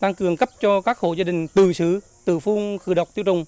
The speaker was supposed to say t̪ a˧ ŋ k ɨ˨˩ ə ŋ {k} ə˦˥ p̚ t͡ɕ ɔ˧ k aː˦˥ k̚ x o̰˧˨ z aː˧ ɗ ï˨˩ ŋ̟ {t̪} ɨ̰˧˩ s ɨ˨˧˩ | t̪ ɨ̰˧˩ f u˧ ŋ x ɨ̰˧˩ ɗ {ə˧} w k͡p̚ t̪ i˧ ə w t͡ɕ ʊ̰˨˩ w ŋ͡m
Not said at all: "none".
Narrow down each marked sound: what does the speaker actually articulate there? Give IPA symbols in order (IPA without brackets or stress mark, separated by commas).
k, t̪, ə˨˩